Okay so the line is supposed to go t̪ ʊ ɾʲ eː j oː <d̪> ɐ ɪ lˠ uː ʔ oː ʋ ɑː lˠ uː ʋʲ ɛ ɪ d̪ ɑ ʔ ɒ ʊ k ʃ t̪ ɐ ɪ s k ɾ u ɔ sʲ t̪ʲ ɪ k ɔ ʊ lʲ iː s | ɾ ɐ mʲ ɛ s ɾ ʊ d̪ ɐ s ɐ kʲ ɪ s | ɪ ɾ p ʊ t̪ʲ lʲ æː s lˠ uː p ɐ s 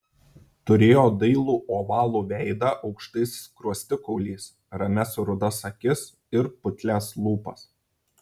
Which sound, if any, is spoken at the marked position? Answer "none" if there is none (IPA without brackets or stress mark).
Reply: d̪